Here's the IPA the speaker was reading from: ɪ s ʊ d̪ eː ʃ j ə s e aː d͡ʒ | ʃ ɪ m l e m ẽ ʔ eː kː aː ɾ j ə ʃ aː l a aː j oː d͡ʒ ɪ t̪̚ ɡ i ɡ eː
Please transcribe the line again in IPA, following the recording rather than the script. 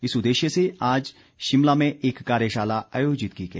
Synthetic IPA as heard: ɪ s ʊ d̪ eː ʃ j ə s e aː d͡ʒ | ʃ ɪ m l a m ẽ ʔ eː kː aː ɾ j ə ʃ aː l a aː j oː d͡ʒ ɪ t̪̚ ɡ i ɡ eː